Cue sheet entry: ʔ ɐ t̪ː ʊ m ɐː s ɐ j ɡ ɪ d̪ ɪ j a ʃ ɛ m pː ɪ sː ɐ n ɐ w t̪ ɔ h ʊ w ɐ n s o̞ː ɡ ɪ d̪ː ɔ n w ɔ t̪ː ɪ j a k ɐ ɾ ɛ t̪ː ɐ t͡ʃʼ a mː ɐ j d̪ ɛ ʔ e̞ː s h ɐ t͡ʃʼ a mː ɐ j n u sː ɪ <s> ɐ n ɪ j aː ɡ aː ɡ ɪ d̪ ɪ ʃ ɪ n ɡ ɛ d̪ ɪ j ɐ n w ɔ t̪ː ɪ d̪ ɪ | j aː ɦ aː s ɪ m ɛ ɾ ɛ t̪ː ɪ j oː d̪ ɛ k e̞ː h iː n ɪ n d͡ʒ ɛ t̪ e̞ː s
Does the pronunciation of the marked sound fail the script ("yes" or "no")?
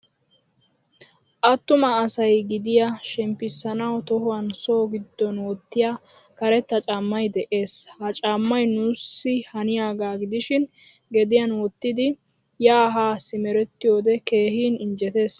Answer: yes